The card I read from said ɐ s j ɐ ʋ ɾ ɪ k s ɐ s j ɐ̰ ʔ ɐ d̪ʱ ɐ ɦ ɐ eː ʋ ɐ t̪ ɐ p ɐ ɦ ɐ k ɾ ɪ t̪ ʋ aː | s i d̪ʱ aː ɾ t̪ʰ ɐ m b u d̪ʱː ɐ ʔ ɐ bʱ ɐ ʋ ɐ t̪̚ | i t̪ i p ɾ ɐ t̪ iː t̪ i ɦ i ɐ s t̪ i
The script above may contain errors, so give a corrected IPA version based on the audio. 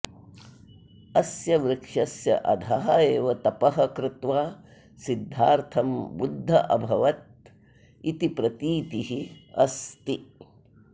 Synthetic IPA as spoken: ɐ s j ɐ ʋ ɾ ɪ k ʂ ɐ s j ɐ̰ ʔ ɐ d̪ʱ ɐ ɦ ɐ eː ʋ ɐ t̪ ɐ p ɐ ɦ ɐ k ɾ ɪ t̪ ʋ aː | s i d̪ʱː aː ɾ t̪ʰ ɐ m b u d̪ʱː ɐ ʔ ɐ bʱ ɐ ʋ ɐ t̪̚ | i t̪ i p ɾ ɐ t̪ iː t̪ i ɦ i ɐ s t̪ i